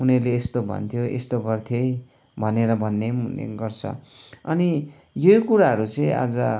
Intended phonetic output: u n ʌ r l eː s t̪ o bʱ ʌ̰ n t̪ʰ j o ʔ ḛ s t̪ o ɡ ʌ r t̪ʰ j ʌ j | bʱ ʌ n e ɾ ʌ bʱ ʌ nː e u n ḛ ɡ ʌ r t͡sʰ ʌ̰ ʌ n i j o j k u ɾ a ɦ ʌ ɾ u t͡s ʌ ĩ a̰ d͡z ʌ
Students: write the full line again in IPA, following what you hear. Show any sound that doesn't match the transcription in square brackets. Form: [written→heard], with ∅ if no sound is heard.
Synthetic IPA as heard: u n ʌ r l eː s t̪ o bʱ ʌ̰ n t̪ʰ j o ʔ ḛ s t̪ o ɡ ʌ r t̪ʰ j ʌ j | bʱ ʌ n e ɾ ʌ bʱ ʌ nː e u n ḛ ɡ ʌ r t͡sʰ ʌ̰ ʌ n i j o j k u ɾ a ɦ ʌ ɾ u t͡s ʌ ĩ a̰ d͡z ʌ